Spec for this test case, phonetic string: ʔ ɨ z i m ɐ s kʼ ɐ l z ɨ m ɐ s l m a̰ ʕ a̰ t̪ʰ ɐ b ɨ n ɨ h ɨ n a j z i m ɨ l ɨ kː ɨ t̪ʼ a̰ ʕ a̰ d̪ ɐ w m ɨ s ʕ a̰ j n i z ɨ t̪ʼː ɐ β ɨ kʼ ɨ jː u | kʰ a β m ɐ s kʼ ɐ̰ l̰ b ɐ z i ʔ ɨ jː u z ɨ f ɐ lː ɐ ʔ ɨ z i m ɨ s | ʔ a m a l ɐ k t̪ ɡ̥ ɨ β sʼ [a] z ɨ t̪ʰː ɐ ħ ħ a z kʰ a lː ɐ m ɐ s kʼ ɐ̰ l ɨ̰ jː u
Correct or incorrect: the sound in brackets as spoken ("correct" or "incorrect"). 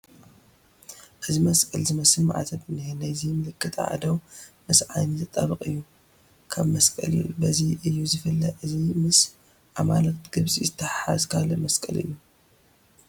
incorrect